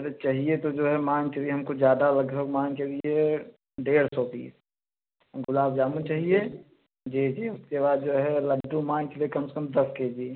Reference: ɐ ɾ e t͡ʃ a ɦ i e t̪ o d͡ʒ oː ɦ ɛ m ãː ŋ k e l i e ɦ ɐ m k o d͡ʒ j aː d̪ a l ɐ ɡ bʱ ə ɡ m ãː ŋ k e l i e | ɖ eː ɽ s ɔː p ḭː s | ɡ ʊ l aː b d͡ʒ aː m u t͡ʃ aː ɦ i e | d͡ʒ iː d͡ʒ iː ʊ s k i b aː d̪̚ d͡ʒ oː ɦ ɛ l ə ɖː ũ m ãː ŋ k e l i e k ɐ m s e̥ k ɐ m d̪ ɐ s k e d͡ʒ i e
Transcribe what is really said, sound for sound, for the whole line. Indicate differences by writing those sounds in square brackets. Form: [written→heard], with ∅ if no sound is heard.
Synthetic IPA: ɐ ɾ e t͡ʃ a ɦ i e t̪ o d͡ʒ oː ɦ ɛ m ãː ŋ k e l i e ɦ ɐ m k o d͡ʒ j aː d̪ a l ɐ ɡ bʱ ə ɡ m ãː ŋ k e l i e | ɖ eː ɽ s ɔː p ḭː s | ɡ ʊ l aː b d͡ʒ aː m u t͡ʃ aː ɦ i e | d͡ʒ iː d͡ʒ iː ʊ s k [i→e] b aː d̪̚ d͡ʒ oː ɦ ɛ l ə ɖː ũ m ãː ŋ k e l i e k ɐ m s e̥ k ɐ m d̪ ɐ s k e d͡ʒ i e